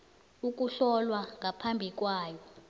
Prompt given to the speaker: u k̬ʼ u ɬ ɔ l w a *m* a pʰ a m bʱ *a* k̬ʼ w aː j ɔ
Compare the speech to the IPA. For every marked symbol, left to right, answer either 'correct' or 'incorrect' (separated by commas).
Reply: incorrect, incorrect